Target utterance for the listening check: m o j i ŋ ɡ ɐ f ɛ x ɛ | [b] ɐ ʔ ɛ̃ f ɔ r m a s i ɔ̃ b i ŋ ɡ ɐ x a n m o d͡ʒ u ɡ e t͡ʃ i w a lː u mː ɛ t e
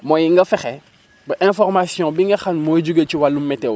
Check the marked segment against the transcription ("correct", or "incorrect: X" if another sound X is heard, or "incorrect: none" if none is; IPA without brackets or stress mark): correct